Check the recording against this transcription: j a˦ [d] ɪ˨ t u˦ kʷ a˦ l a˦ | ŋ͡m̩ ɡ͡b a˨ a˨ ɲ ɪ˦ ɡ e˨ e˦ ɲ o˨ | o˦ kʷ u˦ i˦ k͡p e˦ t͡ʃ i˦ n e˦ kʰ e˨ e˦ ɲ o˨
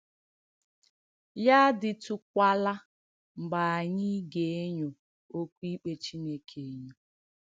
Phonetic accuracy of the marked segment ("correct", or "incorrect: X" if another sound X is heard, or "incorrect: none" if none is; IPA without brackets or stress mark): correct